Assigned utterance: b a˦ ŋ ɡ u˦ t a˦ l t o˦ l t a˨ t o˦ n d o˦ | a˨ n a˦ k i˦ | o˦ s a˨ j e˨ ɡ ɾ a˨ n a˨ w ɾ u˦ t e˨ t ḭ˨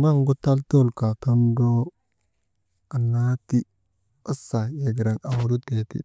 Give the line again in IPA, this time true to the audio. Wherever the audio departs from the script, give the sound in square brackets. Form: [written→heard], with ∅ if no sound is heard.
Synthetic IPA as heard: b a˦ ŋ ɡ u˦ t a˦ l t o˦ l [t→k] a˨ t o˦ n d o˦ | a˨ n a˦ [k→t] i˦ | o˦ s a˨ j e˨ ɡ ɾ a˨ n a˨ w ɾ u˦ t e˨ t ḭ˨

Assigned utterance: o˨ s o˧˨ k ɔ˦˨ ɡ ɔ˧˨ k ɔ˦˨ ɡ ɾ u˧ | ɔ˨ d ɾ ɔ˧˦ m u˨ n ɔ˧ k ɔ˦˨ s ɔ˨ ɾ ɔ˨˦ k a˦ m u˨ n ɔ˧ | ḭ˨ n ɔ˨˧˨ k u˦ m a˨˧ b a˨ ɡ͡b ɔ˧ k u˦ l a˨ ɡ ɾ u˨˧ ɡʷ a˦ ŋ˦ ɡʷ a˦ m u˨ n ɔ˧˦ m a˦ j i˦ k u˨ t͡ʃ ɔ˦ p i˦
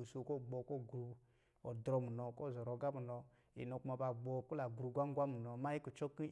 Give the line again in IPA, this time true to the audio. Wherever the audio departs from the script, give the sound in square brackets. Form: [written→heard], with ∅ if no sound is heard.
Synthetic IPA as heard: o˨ s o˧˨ k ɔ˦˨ [ɡ→ɡ͡b] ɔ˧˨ k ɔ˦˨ ɡ ɾ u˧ | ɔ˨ d ɾ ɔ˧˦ m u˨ n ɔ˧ k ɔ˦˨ [s→z] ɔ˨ ɾ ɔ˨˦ [k→ɡ] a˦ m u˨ n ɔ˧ | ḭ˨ n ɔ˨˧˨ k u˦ m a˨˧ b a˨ ɡ͡b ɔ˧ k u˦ l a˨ ɡ ɾ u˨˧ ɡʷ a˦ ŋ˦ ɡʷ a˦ m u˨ n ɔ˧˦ m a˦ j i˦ k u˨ t͡ʃ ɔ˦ [p→k] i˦

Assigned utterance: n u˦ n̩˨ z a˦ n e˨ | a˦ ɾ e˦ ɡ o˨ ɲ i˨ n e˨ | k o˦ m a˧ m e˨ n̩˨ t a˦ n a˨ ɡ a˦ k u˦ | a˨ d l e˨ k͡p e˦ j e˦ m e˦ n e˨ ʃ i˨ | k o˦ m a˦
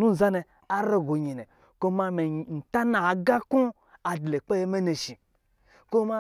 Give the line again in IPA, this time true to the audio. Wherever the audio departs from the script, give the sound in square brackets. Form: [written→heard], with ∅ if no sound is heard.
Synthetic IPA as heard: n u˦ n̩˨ z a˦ n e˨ | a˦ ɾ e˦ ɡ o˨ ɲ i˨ n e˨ | k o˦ m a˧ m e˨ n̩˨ t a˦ n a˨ ɡ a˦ k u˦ | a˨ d l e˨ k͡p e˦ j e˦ m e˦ n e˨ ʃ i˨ | k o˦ m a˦

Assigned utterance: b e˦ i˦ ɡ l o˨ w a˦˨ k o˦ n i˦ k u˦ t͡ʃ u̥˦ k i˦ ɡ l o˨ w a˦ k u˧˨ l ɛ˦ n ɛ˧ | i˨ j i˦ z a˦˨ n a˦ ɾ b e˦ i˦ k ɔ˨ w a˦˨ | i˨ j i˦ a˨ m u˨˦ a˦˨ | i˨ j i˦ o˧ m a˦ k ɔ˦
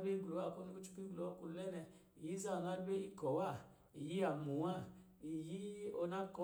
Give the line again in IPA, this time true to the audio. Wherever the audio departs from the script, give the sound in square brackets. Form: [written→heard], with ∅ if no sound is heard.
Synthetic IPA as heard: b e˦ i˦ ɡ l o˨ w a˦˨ k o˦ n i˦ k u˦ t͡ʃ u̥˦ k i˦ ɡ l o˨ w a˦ k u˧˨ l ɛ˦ n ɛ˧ | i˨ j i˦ z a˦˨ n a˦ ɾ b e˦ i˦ k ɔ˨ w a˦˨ | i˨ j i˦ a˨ m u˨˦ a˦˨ | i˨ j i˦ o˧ [m→n] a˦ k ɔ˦

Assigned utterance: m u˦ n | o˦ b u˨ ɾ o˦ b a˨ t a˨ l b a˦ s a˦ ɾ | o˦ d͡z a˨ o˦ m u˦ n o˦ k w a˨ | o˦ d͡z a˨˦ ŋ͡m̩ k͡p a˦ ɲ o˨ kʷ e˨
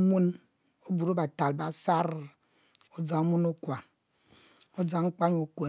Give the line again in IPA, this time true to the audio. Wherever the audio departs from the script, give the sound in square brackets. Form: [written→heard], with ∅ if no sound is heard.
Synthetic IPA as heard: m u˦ n | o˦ b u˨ ɾ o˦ b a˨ t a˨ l b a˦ s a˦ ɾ | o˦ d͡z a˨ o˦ m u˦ n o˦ k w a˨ | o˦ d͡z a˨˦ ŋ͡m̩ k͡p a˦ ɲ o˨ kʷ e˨

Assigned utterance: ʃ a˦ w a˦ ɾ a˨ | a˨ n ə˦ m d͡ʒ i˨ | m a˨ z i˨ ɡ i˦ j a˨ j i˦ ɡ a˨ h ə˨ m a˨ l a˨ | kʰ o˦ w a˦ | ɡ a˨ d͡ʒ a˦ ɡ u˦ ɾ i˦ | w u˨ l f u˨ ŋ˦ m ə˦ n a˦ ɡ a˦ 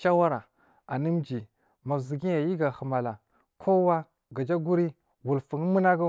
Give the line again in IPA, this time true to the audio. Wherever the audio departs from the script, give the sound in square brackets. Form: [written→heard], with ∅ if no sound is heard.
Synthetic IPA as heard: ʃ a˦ w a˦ ɾ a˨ | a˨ n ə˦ m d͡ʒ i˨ | m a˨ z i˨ ɡ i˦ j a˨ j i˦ ɡ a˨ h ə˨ m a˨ l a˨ | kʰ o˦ w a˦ | ɡ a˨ d͡ʒ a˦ ɡ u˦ ɾ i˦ | w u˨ l f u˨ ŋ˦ m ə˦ n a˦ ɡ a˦

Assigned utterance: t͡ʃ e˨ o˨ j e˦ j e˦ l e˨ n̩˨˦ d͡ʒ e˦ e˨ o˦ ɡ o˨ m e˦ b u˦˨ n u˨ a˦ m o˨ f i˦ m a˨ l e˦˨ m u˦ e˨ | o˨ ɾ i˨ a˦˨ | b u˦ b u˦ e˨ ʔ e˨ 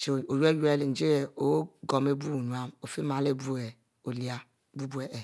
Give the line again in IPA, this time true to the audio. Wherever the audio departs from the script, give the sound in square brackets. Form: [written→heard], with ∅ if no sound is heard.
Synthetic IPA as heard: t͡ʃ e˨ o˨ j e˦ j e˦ l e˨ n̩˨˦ d͡ʒ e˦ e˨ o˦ ɡ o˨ m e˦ b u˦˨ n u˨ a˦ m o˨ f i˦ m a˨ l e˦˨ [m→b] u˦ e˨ | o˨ [ɾ→l] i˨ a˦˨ | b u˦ b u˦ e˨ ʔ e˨

